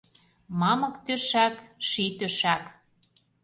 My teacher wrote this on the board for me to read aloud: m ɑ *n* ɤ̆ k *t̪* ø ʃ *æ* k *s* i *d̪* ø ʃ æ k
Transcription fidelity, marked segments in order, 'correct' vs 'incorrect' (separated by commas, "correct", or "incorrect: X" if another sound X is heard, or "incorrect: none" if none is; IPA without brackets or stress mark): incorrect: m, correct, correct, incorrect: ʃ, incorrect: t̪